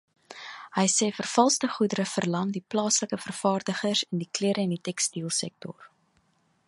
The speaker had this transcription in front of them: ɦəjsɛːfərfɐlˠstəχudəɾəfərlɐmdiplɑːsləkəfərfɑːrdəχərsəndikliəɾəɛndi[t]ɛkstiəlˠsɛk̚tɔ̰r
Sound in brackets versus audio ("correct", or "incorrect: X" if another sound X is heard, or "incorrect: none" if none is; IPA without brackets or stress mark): correct